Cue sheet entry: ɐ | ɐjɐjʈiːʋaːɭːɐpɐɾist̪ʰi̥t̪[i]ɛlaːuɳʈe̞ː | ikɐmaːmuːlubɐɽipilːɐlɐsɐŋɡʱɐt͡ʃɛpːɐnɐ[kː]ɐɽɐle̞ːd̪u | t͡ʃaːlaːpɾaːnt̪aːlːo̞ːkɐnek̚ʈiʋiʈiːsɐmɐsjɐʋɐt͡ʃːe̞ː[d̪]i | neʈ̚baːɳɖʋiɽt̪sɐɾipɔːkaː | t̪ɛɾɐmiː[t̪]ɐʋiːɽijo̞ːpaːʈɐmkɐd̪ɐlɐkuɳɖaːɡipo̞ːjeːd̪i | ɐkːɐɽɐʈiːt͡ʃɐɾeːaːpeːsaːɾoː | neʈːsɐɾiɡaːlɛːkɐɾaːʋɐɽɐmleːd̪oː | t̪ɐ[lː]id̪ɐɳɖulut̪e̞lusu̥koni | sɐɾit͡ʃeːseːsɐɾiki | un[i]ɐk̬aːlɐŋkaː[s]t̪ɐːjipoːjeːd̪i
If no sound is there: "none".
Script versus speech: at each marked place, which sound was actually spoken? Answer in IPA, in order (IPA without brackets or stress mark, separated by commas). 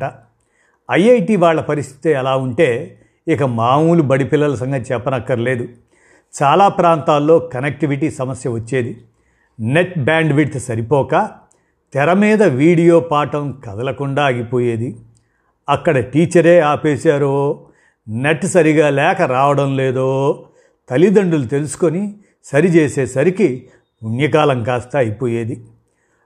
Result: e, kː, d̪, d̪, l, j, s